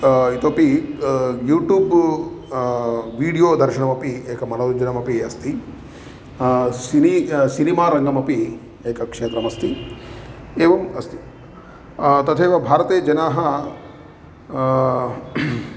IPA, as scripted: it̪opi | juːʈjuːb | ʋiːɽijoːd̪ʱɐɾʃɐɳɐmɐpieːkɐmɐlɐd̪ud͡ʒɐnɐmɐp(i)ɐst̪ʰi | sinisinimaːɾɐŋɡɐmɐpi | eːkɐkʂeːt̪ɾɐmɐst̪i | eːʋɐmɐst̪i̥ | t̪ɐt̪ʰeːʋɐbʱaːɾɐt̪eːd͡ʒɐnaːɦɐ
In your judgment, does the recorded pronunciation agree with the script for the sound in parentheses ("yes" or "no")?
yes